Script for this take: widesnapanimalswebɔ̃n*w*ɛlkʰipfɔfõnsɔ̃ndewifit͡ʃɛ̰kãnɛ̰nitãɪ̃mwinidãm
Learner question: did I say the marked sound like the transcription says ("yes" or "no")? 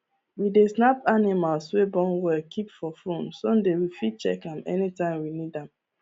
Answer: yes